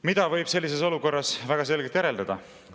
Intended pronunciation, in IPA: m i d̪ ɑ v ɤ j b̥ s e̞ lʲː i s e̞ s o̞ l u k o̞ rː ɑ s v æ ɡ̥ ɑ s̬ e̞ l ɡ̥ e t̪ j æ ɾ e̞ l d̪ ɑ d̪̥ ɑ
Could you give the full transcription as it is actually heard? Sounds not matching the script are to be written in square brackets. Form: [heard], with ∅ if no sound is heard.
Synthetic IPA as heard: m i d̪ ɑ v ɤ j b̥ s e̞ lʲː i s e̞ s o̞ l u k o̞ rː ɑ s v æ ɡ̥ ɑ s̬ e̞ l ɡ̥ e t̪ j æ ɾ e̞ l d̪ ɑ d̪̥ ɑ